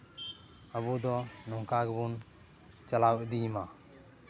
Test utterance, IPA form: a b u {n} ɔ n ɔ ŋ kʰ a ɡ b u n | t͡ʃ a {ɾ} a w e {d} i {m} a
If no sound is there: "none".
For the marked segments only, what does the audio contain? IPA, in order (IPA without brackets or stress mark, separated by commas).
d, l, d, m